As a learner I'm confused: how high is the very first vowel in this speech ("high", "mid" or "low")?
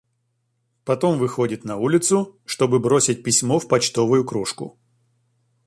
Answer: low